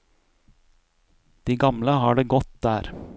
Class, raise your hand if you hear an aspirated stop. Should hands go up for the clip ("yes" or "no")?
no